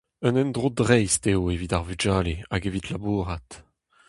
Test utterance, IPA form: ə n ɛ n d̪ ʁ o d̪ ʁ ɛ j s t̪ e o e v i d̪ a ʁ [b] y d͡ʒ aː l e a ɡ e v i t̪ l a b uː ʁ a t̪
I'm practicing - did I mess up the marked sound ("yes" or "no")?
yes